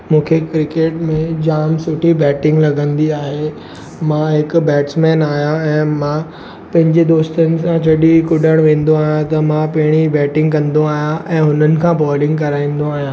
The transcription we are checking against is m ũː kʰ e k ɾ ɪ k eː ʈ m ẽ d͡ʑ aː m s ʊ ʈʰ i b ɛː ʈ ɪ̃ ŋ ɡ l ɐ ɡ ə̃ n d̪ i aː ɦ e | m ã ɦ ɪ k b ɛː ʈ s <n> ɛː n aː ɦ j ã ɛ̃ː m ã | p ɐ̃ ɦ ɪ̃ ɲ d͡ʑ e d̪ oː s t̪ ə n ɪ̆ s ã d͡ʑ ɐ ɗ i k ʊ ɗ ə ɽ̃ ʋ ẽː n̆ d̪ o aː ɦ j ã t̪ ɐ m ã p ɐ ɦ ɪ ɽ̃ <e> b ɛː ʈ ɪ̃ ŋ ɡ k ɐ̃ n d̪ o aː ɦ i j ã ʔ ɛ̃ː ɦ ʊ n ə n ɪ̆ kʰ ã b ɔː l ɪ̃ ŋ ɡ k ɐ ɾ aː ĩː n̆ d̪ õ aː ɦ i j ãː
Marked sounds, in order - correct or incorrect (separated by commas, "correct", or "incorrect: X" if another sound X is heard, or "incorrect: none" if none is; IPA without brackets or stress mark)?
incorrect: m, incorrect: i